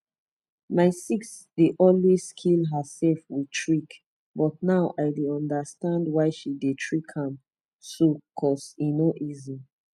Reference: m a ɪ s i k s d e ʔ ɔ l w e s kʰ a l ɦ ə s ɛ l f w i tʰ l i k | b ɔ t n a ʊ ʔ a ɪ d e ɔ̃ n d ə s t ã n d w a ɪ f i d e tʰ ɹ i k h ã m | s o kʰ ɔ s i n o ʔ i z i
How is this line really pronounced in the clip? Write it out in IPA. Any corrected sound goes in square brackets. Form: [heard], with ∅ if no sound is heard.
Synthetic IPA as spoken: m a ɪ s i k s d e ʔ ɔ l w e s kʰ [i] l ɦ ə s ɛ l f w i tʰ [ɹ] i k | b ɔ t n a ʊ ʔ a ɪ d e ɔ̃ n d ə s t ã n d w a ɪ [ʃ] i d e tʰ ɹ i k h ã m | s o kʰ ɔ s i n o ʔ i z i